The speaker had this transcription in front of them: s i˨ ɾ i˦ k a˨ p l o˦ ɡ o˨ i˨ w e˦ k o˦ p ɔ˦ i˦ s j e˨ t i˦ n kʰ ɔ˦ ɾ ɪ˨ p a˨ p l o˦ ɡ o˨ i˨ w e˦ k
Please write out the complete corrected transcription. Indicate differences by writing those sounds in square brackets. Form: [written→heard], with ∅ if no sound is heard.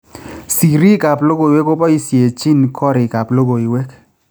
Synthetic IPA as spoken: s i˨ ɾ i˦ k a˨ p l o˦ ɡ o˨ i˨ w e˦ k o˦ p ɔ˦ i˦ s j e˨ [t→t͡ʃ] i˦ n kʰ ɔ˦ ɾ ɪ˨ [p→k] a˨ p l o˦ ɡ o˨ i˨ w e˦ k